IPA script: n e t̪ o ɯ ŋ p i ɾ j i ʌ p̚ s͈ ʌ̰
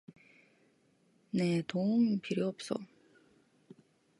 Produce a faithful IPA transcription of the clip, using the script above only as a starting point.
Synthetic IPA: n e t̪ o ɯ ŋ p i ɾ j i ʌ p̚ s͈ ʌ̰